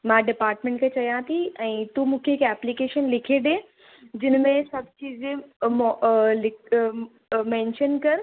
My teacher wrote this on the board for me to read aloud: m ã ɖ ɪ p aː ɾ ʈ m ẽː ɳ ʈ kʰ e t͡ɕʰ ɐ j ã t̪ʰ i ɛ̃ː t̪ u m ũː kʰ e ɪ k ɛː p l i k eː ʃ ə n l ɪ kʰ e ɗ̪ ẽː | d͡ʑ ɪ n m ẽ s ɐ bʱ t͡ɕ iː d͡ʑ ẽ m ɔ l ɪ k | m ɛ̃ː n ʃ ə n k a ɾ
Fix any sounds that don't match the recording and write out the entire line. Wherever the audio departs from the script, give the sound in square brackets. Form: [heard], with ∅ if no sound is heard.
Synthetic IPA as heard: m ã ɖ ɪ p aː ɾ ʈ m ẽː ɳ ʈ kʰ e [t͡ɕ] ɐ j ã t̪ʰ i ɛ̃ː t̪ u m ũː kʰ e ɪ k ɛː p l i k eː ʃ ə n l ɪ kʰ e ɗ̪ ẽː | d͡ʑ ɪ n m ẽ s ɐ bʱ t͡ɕ iː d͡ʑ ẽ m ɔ l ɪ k | m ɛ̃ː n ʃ ə n k [ɐ] ɾ